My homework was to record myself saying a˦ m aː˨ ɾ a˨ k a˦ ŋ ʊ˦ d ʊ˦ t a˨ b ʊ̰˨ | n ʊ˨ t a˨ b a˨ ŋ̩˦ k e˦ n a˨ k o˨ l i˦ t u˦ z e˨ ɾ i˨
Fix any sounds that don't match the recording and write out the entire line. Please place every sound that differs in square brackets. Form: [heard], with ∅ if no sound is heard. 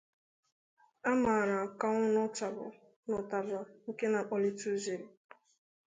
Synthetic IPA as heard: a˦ m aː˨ ɾ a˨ k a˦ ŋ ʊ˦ [n] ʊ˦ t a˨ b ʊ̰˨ | n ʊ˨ t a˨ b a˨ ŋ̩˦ k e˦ n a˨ [k͡p] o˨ l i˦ t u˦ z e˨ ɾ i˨